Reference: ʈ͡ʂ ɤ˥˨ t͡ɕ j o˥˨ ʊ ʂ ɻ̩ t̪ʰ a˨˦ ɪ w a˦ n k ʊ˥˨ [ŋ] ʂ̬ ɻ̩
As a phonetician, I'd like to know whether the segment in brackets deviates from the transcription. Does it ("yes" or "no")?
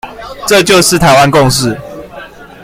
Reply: no